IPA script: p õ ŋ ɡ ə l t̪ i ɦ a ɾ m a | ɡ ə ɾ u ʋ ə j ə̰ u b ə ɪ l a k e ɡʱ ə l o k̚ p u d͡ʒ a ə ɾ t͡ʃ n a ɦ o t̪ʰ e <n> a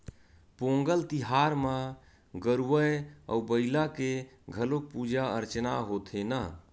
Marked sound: correct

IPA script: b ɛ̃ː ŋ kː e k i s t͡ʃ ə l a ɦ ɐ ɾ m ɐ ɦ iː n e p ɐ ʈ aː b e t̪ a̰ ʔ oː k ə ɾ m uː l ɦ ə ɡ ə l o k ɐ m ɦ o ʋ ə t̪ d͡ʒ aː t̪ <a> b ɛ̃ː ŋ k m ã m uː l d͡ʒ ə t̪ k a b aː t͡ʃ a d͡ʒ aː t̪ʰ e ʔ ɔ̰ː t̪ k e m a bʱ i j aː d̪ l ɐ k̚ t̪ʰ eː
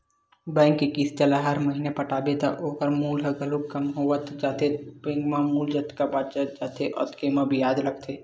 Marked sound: incorrect: e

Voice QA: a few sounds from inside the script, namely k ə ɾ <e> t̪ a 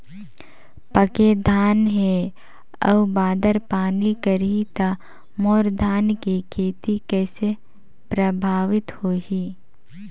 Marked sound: incorrect: i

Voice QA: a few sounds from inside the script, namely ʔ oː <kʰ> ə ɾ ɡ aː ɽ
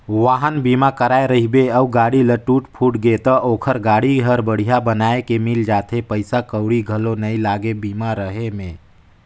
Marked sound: correct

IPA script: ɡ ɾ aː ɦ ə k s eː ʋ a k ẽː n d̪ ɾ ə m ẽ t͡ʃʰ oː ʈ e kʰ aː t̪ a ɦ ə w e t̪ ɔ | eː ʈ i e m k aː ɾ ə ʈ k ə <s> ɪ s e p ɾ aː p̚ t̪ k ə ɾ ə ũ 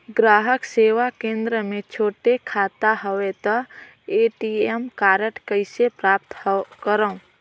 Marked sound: incorrect: none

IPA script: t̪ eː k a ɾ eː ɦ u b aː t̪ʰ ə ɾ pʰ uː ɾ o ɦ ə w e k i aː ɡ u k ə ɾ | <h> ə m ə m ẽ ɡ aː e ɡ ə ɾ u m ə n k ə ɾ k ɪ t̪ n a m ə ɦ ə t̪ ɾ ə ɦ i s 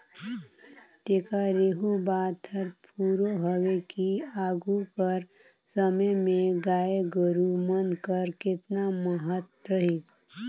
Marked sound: incorrect: s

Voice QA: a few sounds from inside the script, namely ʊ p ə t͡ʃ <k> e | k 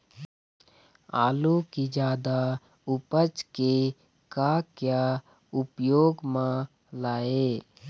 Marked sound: correct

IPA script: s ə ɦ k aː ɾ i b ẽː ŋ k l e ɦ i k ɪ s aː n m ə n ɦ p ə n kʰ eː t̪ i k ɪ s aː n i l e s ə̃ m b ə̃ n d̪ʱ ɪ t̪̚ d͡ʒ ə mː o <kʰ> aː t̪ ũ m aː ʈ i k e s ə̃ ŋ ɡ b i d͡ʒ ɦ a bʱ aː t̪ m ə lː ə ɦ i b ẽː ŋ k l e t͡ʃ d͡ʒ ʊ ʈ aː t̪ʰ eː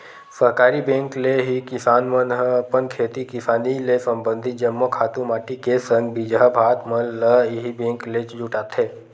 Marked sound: correct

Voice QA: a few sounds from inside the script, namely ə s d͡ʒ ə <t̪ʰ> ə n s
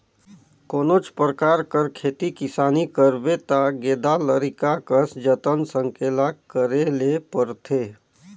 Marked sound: incorrect: t̪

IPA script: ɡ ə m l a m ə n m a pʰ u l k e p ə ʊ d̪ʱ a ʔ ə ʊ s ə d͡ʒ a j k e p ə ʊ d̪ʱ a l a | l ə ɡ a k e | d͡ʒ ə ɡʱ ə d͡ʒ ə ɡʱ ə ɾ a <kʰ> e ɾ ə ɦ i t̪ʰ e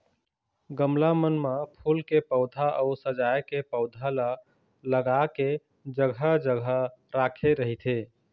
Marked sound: correct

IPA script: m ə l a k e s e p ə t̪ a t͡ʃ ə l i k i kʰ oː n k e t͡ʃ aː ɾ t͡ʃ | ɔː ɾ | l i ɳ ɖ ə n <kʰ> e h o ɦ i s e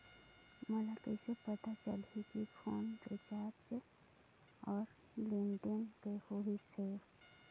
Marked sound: incorrect: k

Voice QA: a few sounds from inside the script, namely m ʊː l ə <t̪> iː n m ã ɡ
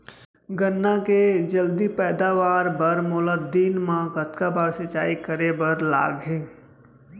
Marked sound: incorrect: d̪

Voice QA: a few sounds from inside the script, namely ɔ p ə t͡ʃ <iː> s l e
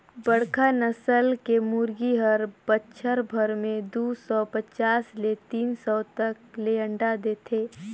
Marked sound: incorrect: aː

